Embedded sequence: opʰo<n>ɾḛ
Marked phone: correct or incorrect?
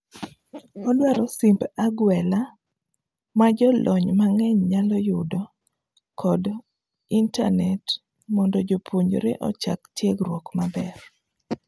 incorrect